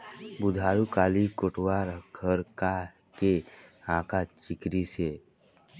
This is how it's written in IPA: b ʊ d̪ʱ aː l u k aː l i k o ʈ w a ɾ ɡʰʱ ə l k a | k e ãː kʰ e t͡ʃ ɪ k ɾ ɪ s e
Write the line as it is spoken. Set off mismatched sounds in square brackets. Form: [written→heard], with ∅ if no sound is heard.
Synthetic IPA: b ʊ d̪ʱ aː [l→ɾ] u k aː l i k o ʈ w a ɾ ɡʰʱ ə [l→ɾ] k a | k e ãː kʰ [e→a] t͡ʃ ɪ k ɾ [ɪ→i] s e